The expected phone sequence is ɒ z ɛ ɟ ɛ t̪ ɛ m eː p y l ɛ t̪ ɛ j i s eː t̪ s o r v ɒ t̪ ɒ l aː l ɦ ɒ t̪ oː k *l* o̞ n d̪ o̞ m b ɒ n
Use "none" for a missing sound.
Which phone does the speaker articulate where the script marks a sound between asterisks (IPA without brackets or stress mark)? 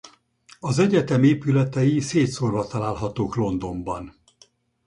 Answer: l